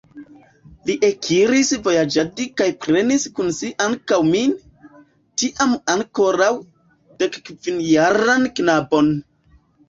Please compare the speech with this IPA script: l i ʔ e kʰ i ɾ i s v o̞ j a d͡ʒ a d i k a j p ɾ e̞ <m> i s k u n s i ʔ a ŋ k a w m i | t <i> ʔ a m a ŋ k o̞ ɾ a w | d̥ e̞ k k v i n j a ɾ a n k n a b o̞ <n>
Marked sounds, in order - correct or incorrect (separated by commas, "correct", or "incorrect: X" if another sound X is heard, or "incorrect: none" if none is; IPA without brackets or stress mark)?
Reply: incorrect: n, correct, correct